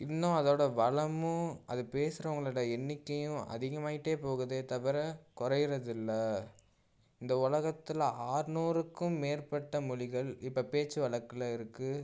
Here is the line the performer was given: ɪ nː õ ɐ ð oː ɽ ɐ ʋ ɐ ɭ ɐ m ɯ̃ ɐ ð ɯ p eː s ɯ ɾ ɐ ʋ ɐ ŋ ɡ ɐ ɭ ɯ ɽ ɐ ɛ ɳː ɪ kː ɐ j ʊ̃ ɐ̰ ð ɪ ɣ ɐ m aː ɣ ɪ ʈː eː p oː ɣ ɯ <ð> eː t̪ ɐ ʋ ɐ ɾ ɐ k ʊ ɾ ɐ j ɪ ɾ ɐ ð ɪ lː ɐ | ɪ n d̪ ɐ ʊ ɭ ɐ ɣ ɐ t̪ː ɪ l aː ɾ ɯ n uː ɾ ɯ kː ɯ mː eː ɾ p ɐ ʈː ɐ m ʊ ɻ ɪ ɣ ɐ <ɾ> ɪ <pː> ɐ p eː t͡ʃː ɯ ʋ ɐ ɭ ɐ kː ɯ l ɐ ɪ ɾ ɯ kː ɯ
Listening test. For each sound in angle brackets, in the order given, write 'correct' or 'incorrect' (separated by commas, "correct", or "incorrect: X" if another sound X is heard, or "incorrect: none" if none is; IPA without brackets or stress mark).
correct, incorrect: ɭ, correct